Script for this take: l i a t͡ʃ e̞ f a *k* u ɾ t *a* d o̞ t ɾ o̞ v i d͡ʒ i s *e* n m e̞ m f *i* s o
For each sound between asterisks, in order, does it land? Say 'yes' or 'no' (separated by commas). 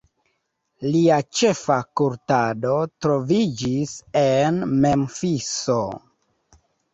yes, yes, yes, yes